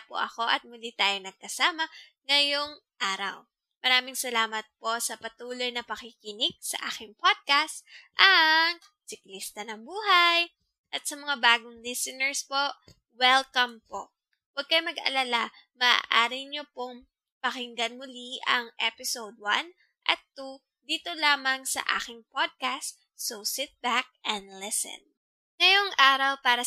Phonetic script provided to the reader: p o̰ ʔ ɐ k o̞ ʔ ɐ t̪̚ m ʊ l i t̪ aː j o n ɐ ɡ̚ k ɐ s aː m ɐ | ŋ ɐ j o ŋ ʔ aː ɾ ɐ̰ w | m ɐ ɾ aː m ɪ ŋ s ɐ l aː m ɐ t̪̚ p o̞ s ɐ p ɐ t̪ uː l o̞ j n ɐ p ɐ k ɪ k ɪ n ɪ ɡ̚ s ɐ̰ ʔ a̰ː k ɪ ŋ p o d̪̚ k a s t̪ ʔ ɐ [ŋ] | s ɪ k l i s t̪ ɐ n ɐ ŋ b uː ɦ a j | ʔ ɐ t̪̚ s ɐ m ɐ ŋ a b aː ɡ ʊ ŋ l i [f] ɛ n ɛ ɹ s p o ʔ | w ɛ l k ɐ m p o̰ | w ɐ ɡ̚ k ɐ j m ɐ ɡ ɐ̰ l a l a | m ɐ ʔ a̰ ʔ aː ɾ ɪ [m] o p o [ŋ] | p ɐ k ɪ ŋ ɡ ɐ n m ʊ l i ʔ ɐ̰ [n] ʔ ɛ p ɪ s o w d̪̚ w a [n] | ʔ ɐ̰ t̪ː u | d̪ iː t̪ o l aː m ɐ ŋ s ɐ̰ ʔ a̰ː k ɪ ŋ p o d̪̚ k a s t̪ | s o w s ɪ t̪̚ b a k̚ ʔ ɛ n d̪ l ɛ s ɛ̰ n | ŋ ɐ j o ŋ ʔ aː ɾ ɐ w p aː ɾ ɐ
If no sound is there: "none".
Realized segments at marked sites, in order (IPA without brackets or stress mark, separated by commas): ŋ, s, ɲ, ŋ, ŋ, n